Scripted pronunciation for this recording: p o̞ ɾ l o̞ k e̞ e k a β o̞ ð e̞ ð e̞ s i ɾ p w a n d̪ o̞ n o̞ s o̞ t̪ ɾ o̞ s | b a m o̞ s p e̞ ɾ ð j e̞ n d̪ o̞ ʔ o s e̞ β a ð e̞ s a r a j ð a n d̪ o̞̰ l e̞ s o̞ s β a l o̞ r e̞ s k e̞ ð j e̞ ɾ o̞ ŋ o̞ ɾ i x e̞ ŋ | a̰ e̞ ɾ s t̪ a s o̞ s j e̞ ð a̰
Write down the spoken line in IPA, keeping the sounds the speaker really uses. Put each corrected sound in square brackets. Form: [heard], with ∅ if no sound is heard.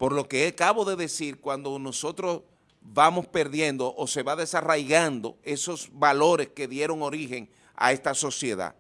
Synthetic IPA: p o̞ ɾ l o̞ k e̞ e k a β o̞ ð e̞ ð e̞ s i ɾ [k] w a n d̪ o̞ n o̞ s o̞ t̪ ɾ o̞ s | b a m o̞ s p e̞ ɾ ð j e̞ n d̪ o̞ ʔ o s e̞ β a ð e̞ s a r a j [ɣ] a n d̪ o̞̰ [∅] e̞ s o̞ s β a l o̞ [ɾ] e̞ s k e̞ ð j e̞ ɾ o̞ ŋ o̞ ɾ i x e̞ ŋ | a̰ e̞ [∅] s t̪ a s o̞ s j e̞ ð a̰